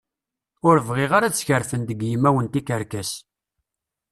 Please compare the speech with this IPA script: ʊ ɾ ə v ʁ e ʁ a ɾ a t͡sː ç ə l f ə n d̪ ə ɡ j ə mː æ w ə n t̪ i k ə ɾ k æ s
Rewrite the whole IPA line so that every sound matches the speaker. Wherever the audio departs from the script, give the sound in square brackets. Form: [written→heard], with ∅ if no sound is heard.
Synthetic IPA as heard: ʊ ɾ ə v ʁ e ʁ a ɾ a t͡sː ç ə [l→ɾ] f ə n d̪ ə ɡ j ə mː æ w ə n t̪ i k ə ɾ k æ s